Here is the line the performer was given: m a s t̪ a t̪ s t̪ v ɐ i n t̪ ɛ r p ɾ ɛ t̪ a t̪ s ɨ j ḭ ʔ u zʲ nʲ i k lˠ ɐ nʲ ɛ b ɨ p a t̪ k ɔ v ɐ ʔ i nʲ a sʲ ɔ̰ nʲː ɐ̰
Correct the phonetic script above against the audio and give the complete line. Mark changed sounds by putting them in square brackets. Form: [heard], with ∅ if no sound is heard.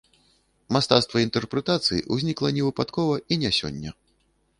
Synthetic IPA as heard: m a s t̪ a t̪ s t̪ v ɐ i n t̪ ɛ r p ɾ ɛ t̪ a t̪ s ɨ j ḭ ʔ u zʲ nʲ i k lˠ ɐ nʲ ɛ [v] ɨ p a t̪ k ɔ v ɐ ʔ i nʲ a sʲ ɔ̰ nʲː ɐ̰